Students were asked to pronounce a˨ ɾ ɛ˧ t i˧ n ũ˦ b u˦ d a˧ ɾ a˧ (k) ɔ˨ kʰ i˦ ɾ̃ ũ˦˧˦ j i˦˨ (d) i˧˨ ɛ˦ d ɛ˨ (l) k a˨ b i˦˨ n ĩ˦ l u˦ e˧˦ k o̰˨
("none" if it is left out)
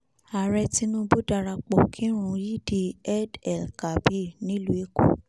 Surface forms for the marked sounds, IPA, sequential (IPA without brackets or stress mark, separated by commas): k͡p, d, l